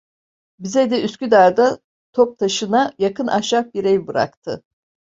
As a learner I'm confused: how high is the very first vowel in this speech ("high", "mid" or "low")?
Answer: high